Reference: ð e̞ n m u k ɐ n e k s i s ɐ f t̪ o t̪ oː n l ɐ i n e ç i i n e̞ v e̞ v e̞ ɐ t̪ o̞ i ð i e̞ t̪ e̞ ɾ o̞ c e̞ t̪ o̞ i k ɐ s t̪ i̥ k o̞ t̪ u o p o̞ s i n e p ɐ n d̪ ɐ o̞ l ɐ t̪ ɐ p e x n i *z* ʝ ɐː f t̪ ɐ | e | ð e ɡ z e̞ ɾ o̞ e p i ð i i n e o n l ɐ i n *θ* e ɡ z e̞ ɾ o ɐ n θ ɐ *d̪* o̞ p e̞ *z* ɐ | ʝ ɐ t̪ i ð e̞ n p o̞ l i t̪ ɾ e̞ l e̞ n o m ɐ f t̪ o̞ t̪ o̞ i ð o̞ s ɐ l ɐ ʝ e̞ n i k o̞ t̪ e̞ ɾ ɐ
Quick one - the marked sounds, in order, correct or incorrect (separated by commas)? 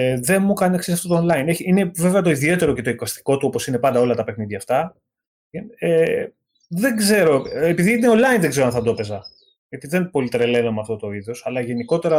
incorrect, incorrect, correct, correct